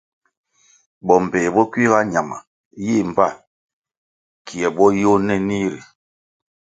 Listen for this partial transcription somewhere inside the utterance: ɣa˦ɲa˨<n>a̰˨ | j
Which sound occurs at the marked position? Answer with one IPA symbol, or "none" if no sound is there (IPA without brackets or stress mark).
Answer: m